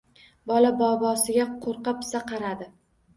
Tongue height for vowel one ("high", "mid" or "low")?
low